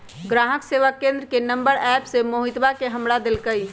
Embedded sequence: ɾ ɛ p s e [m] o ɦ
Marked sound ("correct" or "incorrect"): correct